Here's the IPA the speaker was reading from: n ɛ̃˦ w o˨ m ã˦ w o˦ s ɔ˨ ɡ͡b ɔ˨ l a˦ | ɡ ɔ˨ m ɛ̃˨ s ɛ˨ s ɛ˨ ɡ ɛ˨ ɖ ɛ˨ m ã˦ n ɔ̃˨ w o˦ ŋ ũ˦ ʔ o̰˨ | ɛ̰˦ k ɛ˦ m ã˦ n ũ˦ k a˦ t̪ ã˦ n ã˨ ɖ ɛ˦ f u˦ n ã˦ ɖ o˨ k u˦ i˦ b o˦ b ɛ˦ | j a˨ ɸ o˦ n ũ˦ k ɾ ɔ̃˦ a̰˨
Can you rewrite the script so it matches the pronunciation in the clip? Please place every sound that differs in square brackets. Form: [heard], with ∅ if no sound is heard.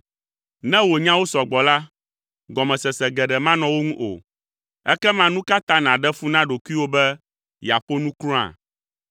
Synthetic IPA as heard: n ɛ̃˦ w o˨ [ɲ] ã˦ w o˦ s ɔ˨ ɡ͡b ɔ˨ l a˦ | ɡ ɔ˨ m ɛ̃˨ s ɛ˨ s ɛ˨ ɡ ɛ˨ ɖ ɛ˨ m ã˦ n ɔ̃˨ w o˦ ŋ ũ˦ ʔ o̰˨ | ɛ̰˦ k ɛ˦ m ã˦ n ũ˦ k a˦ t̪ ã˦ n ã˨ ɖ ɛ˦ f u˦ n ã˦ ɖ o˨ k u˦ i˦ [w] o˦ b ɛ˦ | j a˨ ɸ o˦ n ũ˦ k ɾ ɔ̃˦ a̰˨

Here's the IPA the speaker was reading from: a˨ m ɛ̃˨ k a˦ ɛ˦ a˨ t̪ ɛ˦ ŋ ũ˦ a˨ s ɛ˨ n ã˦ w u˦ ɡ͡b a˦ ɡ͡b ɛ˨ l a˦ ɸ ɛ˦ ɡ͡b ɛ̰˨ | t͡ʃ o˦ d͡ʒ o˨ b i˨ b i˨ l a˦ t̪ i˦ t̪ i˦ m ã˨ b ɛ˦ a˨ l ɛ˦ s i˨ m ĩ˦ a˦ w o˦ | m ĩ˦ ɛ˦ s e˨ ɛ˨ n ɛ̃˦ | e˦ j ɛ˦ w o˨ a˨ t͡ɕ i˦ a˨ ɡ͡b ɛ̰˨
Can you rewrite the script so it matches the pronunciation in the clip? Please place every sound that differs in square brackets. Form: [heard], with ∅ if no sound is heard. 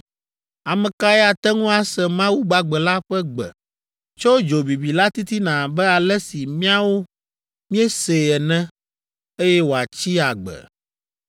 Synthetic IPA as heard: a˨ m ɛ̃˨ k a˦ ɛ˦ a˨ t̪ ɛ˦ ŋ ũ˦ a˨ s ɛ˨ [m] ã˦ w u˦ ɡ͡b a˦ ɡ͡b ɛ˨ l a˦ ɸ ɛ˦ ɡ͡b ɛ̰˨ | t͡ʃ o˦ d͡ʒ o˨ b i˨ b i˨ l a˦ t̪ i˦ t̪ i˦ [n] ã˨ b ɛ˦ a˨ l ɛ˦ s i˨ m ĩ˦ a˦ w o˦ | m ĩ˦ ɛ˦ s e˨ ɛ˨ n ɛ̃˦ | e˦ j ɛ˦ w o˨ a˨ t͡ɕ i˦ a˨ ɡ͡b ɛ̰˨

